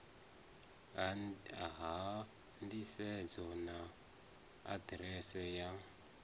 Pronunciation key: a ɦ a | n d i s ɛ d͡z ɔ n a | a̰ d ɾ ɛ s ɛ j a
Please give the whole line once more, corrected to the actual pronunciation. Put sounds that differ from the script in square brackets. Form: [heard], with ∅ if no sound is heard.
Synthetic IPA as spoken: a ɦ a | n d i s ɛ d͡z ɔ n a | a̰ d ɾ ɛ s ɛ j a